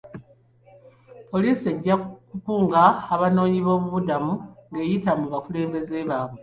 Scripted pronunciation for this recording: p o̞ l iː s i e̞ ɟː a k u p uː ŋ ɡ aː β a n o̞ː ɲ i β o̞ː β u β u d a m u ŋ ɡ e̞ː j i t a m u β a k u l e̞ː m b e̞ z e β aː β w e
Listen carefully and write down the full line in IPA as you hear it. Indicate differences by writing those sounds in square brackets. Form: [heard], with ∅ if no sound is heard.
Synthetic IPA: p o̞ l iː s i e̞ ɟː a k u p uː ŋ ɡ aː β a n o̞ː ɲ i β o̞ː β u β u d a m u ŋ ɡ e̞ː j i t a m u β a k u l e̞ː m b e̞ z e β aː β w e